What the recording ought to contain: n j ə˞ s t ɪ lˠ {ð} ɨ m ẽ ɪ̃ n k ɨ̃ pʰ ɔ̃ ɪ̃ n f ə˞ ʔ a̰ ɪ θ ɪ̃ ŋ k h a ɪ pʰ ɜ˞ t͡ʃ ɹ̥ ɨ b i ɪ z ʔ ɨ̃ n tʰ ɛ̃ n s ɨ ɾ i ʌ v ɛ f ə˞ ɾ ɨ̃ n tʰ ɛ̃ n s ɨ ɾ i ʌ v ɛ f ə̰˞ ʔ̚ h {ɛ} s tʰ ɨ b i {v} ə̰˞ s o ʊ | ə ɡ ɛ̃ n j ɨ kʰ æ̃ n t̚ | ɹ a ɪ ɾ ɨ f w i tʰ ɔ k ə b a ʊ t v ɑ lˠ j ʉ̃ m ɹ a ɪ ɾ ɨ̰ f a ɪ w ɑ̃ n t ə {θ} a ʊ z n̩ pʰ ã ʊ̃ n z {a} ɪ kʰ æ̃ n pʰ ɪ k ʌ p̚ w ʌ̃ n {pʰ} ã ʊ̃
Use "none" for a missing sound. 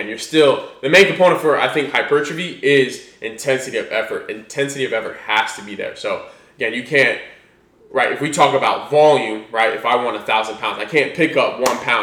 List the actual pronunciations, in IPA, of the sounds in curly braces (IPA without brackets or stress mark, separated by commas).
ð, æ, ð, θ, a, pʰ